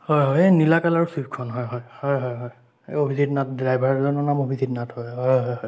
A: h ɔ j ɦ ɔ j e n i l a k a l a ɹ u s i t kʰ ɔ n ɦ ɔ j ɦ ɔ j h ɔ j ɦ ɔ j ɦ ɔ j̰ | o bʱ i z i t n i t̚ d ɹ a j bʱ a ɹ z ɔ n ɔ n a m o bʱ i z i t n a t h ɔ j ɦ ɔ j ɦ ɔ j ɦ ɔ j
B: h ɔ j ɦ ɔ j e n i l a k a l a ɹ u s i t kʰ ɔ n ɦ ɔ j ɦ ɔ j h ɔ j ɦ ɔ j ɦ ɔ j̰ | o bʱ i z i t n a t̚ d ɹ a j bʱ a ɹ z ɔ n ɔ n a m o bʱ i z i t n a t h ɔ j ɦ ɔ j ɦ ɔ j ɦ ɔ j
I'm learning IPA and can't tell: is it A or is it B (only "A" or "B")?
B